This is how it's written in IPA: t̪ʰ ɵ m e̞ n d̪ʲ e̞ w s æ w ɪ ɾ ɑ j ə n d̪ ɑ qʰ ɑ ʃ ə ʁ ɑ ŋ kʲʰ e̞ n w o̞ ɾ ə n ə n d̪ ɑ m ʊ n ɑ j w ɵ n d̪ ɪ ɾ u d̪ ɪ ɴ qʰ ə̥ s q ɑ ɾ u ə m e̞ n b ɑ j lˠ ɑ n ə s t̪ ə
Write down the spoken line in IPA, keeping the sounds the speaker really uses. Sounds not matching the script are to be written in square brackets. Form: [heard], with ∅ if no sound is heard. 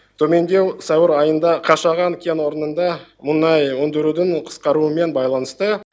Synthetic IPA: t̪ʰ ɵ m e̞ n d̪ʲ e̞ w s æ w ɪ ɾ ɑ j ə n d̪ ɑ qʰ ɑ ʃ [ɑ] ʁ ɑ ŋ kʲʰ e̞ n w o̞ ɾ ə n ə n d̪ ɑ m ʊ n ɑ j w ɵ n d̪ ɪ ɾ u d̪ ɪ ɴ qʰ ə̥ s q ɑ ɾ u ə m e̞ n b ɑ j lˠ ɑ n ə s t̪ ə